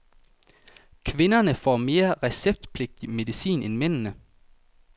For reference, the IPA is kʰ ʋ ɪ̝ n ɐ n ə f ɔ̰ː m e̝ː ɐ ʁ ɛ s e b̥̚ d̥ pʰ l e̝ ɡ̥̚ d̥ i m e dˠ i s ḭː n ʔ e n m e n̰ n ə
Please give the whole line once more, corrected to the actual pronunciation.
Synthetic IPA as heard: kʰ ʋ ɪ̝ n ɐ n ə f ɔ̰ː m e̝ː ɐ ʁ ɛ s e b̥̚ d̥ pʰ l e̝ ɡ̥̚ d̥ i m e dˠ i s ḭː n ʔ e n m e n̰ n ə